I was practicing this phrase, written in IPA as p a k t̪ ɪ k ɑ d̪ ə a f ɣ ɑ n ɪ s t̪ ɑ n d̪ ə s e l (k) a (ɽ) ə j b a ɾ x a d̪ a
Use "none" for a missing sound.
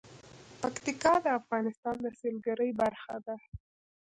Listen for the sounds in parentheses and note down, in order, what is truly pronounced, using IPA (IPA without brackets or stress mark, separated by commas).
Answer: ɡ, ɾ